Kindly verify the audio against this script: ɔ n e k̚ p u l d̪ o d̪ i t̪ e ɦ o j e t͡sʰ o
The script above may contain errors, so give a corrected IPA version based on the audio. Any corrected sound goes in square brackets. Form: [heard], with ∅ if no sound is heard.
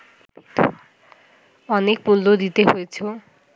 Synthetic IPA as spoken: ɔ n e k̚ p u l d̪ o d̪ i t̪ e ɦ o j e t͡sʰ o